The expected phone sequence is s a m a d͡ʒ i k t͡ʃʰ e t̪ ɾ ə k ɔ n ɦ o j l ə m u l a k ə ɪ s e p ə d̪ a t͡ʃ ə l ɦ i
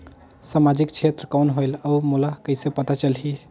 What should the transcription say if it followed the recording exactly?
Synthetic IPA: s a m a d͡ʒ i k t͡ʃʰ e t̪ ɾ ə k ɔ n ɦ o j l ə m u l a k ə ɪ s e p ə t̪ a t͡ʃ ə l ɦ i